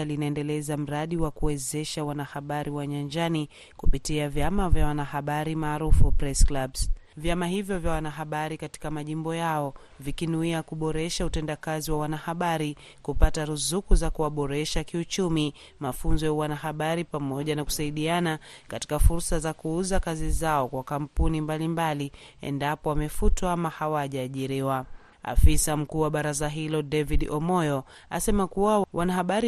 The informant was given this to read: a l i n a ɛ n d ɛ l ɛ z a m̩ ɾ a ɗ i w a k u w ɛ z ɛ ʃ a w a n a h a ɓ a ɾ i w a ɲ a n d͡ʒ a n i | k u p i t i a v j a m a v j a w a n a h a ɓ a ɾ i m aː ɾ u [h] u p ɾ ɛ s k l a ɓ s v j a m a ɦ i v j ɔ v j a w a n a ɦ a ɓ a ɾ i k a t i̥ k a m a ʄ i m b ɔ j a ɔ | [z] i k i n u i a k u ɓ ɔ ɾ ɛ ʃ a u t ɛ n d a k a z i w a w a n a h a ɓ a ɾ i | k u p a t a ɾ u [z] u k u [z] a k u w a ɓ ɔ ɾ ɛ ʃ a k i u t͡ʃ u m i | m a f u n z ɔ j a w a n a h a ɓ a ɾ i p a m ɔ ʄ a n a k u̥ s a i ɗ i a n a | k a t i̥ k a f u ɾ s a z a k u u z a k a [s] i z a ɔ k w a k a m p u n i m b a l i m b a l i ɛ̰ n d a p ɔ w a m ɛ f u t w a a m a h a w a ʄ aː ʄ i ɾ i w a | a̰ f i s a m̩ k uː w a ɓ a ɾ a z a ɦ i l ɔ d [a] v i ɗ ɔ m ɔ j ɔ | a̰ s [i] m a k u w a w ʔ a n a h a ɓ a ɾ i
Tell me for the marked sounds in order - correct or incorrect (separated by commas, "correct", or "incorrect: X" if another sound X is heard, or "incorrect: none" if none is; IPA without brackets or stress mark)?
incorrect: f, incorrect: v, correct, correct, incorrect: z, incorrect: ɛ, incorrect: ɛ